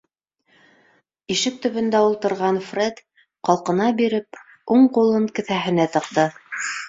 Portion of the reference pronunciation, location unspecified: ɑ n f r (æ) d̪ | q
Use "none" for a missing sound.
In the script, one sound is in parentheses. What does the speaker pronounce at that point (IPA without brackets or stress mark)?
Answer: e